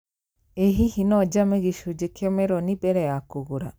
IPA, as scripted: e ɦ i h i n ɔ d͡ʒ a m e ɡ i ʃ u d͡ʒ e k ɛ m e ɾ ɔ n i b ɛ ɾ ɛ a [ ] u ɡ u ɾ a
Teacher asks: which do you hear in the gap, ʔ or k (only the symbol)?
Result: k